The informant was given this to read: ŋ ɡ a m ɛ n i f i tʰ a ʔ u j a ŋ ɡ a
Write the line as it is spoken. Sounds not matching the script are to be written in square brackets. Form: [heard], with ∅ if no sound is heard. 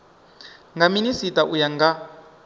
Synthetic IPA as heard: ŋ ɡ a m [i] n i [s] i [t] a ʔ u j a ŋ ɡ a